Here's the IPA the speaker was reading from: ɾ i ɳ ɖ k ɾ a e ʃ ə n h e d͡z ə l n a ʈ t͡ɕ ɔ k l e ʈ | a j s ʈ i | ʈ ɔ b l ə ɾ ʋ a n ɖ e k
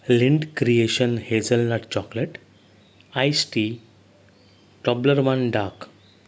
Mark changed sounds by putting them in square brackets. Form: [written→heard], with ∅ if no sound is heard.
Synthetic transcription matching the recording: [ɾ→l] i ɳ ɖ k ɾ [a→i] e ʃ ə n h e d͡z ə l n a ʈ t͡ɕ ɔ k l e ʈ | a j s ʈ i | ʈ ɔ b l ə ɾ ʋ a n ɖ [e→a] k

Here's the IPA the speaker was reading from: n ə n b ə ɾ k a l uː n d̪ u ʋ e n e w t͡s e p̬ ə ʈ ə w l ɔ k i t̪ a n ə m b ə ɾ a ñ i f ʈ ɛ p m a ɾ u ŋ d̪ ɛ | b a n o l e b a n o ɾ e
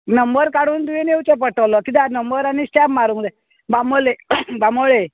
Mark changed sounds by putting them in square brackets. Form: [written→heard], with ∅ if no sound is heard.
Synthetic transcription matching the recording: n ə [n→m] b ə ɾ k a [l→ɽ] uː n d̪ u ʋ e n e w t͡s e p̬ ə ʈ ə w l ɔ k i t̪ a n ə m b ə ɾ a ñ i [f→s] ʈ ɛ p m a ɾ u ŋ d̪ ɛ | b a [n→m] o l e b a [n→m] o [ɾ→ɭ] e

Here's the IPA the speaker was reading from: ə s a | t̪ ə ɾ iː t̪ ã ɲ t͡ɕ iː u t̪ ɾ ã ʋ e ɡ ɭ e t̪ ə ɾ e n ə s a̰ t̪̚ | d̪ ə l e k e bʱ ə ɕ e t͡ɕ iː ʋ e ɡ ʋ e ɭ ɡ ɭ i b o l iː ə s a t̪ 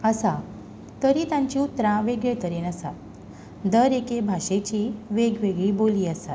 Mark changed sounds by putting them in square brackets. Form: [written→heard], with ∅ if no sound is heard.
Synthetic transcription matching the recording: ə s a | t̪ ə ɾ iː t̪ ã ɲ t͡ɕ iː u t̪ ɾ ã ʋ e ɡ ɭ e t̪ ə ɾ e n ə s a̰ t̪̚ | d̪ ə [l→ɾ] e k e bʱ [ə→a] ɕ e t͡ɕ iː ʋ e ɡ ʋ e [ɭ→∅] ɡ ɭ i b o l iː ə s a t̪

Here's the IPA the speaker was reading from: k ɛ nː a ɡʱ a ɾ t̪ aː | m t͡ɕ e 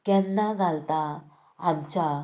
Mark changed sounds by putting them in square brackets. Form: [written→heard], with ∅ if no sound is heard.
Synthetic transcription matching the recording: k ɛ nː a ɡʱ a [ɾ→l] t̪ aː | m t͡ɕ [e→a]

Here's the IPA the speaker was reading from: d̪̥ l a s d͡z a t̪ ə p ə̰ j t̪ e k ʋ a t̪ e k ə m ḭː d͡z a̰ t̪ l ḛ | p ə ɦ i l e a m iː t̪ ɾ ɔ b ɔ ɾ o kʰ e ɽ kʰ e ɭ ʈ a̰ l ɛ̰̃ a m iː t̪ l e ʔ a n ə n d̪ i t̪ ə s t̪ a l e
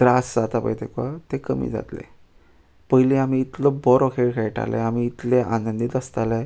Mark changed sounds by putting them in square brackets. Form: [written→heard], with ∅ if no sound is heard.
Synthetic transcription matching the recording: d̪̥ [l→ɾ] a s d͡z a t̪ [ə→a] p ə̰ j t̪ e k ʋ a t̪ e k ə m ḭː d͡z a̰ t̪ l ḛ | p ə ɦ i l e a m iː t̪ [ɾ→l] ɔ b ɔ ɾ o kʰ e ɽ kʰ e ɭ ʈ a̰ l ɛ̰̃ a m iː t̪ l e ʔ a n ə n d̪ i t̪ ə s t̪ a l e

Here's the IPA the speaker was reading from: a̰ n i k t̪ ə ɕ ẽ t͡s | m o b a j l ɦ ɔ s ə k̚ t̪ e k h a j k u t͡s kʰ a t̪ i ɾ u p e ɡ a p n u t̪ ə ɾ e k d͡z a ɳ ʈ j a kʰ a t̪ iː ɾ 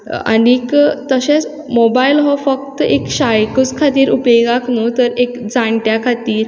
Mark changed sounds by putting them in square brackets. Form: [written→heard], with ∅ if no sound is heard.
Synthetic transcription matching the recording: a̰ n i k t̪ ə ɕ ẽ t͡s | m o b a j l ɦ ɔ [s→f] ə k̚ t̪ e k [h→ɕ] a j k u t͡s kʰ a t̪ [i→iː] ɾ u p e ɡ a [p→k] n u t̪ ə ɾ e k d͡z a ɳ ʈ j a kʰ a t̪ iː ɾ

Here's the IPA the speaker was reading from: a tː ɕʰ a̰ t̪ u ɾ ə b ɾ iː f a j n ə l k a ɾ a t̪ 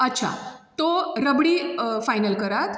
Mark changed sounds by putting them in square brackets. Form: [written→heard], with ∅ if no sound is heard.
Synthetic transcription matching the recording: [a→ə] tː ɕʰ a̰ t̪ [u→o] ɾ ə b [ɾ→ɽ] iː f a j n ə l k [a→ə] ɾ a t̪

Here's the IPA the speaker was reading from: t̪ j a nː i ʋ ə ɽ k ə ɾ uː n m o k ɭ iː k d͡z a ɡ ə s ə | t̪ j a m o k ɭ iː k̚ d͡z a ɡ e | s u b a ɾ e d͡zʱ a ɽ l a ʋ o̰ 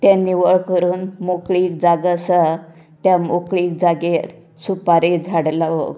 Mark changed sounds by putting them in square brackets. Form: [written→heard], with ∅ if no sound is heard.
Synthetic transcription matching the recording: t̪ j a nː i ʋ ə [ɽ→ɭ] k ə ɾ uː n m o k ɭ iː k d͡z a ɡ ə s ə | t̪ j a m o k ɭ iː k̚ d͡z a ɡ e | s u [b→p] a ɾ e d͡zʱ a ɽ l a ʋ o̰

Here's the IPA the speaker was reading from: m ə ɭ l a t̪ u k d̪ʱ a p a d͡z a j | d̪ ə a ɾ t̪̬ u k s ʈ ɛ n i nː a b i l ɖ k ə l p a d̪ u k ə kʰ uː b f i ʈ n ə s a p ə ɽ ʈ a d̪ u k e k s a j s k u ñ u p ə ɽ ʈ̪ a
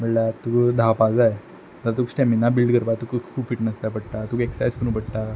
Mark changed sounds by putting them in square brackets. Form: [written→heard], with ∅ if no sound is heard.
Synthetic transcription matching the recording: m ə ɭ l a t̪ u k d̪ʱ a p a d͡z a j | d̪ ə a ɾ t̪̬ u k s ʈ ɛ [n→m] i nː a b i l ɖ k ə [l→ɾ] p a [d̪→t̪] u k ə kʰ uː b f i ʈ n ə s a p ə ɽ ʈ a [d̪→t̪] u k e k s a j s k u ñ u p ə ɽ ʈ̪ a

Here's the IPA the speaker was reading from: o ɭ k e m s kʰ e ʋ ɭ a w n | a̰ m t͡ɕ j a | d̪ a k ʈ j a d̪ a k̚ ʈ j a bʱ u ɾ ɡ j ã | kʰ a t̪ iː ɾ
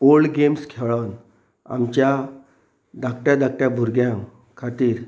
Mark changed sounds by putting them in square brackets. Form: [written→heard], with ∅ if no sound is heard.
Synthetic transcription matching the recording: o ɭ [k→ɡ] e m s kʰ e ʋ ɭ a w n | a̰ m t͡ɕ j a | d̪ a k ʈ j a d̪ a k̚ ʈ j a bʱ u ɾ ɡ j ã | kʰ a t̪ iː ɾ

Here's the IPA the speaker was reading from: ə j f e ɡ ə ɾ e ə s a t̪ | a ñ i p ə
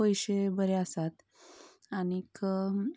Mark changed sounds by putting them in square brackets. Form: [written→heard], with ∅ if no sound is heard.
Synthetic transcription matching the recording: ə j [f→ɕ] e [ɡ→b] ə ɾ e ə s a t̪ | a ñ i [p→k] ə

